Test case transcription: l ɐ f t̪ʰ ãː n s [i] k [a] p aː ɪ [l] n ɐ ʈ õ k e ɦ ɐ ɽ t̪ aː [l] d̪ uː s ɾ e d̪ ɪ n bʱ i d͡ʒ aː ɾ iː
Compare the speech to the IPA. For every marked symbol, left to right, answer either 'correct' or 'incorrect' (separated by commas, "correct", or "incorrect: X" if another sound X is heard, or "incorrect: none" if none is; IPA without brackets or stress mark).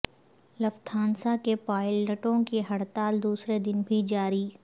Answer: incorrect: a, incorrect: e, correct, correct